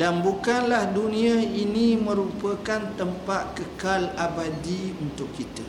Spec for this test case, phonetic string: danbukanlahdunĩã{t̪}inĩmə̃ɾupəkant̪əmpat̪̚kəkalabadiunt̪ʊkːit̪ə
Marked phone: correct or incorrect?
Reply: incorrect